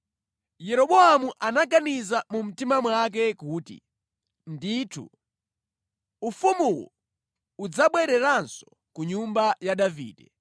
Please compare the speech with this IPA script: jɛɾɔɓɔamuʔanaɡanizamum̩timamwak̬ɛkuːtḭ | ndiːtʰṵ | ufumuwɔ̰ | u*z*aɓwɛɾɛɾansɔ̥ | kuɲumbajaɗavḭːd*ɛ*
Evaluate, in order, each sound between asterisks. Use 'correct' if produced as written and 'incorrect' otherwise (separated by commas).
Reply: incorrect, correct